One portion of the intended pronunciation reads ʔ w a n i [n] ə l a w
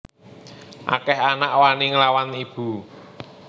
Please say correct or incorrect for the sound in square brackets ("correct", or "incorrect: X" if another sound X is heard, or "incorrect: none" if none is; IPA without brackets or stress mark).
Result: incorrect: ŋ